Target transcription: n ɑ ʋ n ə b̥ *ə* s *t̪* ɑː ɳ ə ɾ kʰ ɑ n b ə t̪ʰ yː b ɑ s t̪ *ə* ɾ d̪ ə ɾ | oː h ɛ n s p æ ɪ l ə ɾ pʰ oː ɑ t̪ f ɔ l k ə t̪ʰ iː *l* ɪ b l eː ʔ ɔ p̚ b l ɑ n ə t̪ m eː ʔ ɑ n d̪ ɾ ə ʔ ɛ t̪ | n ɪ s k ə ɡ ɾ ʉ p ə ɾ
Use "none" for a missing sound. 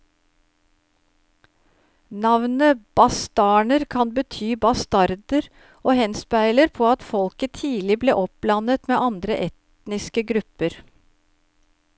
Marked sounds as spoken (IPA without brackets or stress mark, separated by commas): ɑ, t̪, ɑ, l